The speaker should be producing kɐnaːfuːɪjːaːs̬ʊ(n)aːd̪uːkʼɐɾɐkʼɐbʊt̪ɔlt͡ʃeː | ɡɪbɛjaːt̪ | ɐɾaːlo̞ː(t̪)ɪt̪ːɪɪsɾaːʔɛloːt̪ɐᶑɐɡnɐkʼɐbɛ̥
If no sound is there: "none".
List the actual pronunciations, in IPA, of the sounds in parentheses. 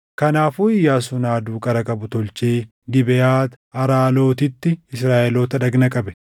n, t̪

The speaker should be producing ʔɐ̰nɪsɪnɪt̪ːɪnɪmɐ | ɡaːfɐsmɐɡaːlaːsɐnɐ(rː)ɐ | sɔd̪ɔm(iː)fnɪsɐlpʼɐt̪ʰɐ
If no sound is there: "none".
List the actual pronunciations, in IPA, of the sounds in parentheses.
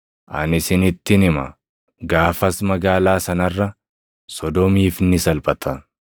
rː, iː

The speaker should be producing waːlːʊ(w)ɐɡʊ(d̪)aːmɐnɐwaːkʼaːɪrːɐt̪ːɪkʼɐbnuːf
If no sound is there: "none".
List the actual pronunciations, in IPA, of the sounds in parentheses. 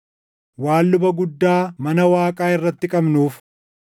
b, d̪ː

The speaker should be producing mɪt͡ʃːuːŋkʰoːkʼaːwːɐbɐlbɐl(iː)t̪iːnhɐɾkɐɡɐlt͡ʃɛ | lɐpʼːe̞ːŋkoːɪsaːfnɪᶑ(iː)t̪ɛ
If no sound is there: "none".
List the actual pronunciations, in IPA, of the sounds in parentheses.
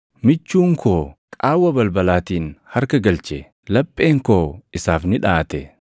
aː, aː

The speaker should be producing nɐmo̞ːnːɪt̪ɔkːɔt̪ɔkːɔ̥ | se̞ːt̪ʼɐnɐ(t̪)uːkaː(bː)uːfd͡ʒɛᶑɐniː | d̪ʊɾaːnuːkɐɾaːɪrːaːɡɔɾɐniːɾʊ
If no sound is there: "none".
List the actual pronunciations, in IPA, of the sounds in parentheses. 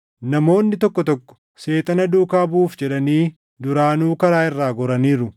d̪, b

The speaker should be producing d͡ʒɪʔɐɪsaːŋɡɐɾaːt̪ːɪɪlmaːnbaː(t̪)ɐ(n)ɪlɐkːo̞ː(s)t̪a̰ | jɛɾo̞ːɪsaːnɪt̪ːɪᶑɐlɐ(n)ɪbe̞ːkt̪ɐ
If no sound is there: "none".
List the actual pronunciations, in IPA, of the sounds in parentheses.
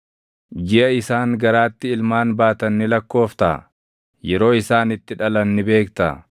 t̪, nː, f, nː

